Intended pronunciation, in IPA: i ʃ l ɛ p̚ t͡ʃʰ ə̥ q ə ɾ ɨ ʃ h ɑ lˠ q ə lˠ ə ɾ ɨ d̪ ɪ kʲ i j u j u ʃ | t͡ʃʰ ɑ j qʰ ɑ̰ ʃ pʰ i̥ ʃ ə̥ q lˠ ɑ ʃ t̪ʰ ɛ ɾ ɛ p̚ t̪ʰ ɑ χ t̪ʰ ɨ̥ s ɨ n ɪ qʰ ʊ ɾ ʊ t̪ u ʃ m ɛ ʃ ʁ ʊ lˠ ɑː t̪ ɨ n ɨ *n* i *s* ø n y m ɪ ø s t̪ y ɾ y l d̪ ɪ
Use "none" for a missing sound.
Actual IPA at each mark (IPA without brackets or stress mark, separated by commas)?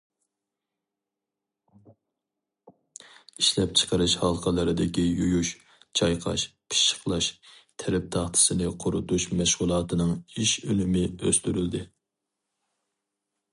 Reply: ŋ, ʃ